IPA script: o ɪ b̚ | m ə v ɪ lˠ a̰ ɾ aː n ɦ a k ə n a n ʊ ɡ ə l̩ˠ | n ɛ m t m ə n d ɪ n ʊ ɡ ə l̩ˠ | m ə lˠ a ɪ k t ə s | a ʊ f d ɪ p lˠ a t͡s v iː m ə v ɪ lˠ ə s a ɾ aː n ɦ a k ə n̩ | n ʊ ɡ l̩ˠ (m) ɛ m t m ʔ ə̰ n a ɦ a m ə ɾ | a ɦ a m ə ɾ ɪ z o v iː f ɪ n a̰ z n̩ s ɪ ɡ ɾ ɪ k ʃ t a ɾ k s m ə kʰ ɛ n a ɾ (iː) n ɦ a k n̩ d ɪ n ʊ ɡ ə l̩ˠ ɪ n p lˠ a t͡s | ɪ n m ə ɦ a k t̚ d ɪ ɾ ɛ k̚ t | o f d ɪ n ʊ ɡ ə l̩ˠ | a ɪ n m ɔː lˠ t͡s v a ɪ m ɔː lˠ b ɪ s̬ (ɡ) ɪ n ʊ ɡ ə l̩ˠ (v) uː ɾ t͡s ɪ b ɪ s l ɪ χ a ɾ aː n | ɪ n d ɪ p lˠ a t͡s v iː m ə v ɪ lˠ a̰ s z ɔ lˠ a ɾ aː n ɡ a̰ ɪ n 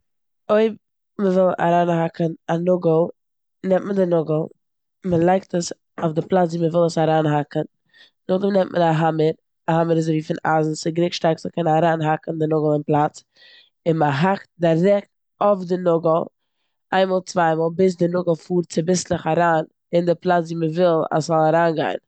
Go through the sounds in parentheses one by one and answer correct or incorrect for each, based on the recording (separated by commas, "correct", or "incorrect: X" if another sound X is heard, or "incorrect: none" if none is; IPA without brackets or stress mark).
incorrect: n, incorrect: aː, incorrect: d, incorrect: f